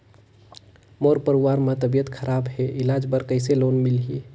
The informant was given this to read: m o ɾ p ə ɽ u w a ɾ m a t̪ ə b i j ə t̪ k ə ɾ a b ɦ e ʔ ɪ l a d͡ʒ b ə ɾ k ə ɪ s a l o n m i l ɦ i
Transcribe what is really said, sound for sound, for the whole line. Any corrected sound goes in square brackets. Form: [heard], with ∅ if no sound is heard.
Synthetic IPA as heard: m o ɾ p ə [ɾ] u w a ɾ m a t̪ ə b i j ə t̪ [kʰ] ə ɾ a b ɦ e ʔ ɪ l a d͡ʒ b ə ɾ k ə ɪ s [e] l o n m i l ɦ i